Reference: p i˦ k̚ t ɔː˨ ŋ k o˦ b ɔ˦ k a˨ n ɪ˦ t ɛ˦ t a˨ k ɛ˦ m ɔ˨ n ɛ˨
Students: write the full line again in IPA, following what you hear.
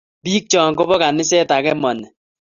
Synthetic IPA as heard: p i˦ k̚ t͡ʃ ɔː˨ ŋ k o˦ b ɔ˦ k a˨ n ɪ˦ s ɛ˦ t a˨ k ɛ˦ m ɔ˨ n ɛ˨